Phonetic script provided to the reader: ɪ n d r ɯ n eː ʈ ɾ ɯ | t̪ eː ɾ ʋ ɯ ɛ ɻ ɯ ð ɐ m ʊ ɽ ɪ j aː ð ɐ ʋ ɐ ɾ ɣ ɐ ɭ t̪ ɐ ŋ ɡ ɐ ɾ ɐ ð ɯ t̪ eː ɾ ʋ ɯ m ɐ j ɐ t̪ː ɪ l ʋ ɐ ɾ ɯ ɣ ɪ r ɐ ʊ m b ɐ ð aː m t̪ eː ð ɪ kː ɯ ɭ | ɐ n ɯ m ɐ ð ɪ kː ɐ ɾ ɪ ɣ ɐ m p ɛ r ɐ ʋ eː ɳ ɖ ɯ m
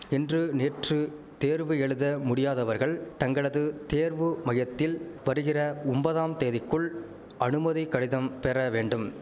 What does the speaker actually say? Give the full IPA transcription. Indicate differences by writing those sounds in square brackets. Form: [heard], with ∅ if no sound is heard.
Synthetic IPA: ɪ n d r ɯ n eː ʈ [r] ɯ | t̪ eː ɾ ʋ ɯ ɛ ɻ ɯ ð ɐ m ʊ ɽ ɪ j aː ð ɐ ʋ ɐ ɾ ɣ ɐ ɭ t̪ ɐ ŋ ɡ ɐ [ɭ] ɐ ð ɯ t̪ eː ɾ ʋ ɯ m ɐ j ɐ t̪ː ɪ l ʋ ɐ ɾ ɯ ɣ ɪ r ɐ ʊ m b ɐ ð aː m t̪ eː ð ɪ kː ɯ ɭ | ɐ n ɯ m ɐ ð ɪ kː ɐ [ɽ] ɪ [ð] ɐ m p ɛ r ɐ ʋ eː ɳ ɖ ɯ m

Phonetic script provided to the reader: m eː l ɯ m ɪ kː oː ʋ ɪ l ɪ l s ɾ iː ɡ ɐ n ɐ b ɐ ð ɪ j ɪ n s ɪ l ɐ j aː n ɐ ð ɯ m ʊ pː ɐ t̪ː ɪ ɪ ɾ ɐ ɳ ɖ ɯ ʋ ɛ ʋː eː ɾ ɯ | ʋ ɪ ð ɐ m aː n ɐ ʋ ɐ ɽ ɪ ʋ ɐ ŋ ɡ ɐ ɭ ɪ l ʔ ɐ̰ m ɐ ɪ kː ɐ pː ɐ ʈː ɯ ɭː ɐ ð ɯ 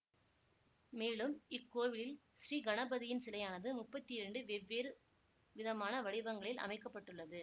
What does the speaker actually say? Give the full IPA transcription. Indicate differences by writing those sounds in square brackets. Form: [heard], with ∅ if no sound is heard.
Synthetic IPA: m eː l ɯ m ɪ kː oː ʋ ɪ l ɪ l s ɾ iː ɡ ɐ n ɐ b ɐ ð ɪ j ɪ n s ɪ l ɐ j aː n ɐ ð ɯ m ʊ pː ɐ t̪ː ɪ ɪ ɾ ɐ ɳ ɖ ɯ ʋ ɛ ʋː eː ɾ ɯ | ʋ ɪ ð ɐ m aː n ɐ ʋ ɐ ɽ ɪ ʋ ɐ ŋ ɡ ɐ ɭ ɪ l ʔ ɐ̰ m ɐ ɪ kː ɐ pː ɐ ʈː ɯ ɭː ɐ ð ɯ

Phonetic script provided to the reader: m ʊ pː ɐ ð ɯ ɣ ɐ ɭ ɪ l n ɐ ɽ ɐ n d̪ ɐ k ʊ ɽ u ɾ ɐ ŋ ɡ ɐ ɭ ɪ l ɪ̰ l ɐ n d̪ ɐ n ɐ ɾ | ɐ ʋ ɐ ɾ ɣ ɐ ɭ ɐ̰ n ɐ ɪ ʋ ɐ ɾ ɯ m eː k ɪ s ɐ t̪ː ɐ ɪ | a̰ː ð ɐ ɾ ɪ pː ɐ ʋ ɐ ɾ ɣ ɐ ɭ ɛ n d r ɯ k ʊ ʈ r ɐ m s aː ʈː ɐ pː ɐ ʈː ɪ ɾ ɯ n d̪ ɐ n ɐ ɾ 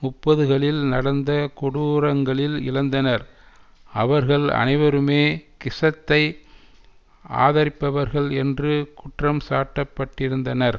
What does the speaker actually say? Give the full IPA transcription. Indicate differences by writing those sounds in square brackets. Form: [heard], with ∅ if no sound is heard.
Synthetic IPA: m ʊ pː ɐ ð ɯ ɣ ɐ ɭ ɪ l n ɐ ɽ ɐ n d̪ ɐ k ʊ ɽ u ɾ ɐ ŋ ɡ ɐ ɭ ɪ l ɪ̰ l ɐ n d̪ ɐ n ɐ ɾ | ɐ ʋ ɐ ɾ ɣ ɐ ɭ ɐ̰ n ɐ ɪ ʋ ɐ ɾ ɯ m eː k ɪ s ɐ t̪ː ɐ ɪ | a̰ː ð ɐ ɾ ɪ pː ɐ ʋ ɐ ɾ ɣ ɐ ɭ ɛ n d r ɯ k ʊ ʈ r ɐ m s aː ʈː ɐ pː ɐ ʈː ɪ ɾ ɯ n d̪ ɐ n ɐ ɾ

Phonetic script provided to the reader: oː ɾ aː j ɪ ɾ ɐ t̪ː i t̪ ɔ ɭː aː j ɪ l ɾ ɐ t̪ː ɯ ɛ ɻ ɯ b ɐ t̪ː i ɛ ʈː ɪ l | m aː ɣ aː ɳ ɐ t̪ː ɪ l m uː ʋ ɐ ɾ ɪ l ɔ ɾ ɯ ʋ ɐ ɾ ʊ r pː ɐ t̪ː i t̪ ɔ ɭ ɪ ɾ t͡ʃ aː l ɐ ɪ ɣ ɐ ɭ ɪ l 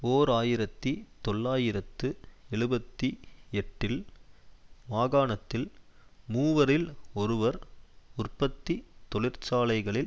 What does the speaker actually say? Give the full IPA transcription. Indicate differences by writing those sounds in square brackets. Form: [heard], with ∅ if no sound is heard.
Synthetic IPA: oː ɾ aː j ɪ ɾ ɐ t̪ː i t̪ ɔ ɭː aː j ɪ [∅] ɾ ɐ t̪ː ɯ ɛ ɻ ɯ b ɐ t̪ː i ɛ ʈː ɪ l | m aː ɣ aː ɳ ɐ t̪ː ɪ l m uː ʋ ɐ ɾ ɪ l ɔ ɾ ɯ ʋ ɐ ɾ ʊ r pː ɐ t̪ː i t̪ ɔ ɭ ɪ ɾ t͡ʃ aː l ɐ ɪ ɣ ɐ ɭ ɪ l

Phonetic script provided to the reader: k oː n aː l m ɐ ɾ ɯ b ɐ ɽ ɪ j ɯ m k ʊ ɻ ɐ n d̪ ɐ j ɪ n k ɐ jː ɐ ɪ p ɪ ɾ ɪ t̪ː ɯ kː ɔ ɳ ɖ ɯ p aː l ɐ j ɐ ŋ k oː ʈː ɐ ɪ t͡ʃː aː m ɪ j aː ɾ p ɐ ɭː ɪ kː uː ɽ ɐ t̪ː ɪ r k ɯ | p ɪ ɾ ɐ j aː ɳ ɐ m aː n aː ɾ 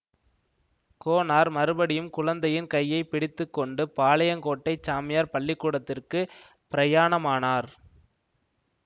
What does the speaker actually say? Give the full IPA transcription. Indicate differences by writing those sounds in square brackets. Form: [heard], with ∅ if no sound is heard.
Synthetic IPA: k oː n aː [ɾ] m ɐ ɾ ɯ b ɐ ɽ ɪ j ɯ m k ʊ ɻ ɐ n d̪ ɐ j ɪ n k ɐ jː ɐ ɪ p ɪ [ɽ] ɪ t̪ː ɯ kː ɔ ɳ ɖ ɯ p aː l ɐ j ɐ ŋ k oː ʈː ɐ ɪ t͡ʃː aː m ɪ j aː ɾ p ɐ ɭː ɪ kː uː ɽ ɐ t̪ː ɪ r k ɯ | p ɪ ɾ ɐ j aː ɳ ɐ m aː n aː ɾ

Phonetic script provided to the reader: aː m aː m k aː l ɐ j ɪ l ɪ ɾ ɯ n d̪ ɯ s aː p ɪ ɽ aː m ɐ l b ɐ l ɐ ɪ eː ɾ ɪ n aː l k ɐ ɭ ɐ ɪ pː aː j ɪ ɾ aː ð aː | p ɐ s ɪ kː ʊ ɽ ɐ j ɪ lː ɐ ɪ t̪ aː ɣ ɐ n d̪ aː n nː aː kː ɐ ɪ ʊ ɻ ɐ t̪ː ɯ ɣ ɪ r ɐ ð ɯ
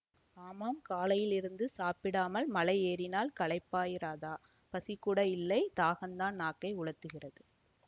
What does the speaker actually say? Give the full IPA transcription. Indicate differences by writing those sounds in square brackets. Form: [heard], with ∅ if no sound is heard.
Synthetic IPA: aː m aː m k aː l ɐ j ɪ l ɪ ɾ ɯ n d̪ ɯ s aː p ɪ ɽ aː m ɐ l [m] ɐ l ɐ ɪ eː ɾ ɪ n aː l k ɐ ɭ ɐ ɪ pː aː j ɪ ɾ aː ð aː | p ɐ s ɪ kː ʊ ɽ ɐ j ɪ lː ɐ ɪ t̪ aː ɣ ɐ n d̪ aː n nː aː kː ɐ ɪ ʊ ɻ ɐ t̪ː ɯ ɣ ɪ r ɐ ð ɯ

